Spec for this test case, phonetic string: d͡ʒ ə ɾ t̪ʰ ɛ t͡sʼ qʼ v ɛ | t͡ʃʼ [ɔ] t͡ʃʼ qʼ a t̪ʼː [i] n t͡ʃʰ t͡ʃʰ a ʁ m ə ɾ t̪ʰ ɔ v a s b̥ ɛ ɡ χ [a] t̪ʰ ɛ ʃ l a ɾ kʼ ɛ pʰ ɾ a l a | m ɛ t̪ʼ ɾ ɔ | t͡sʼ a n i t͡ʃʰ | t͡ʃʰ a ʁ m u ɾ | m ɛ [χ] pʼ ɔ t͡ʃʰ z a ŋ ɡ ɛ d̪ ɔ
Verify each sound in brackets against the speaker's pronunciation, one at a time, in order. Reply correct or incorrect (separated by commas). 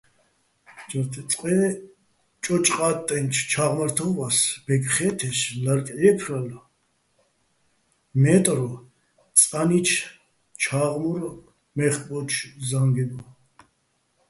correct, incorrect, incorrect, correct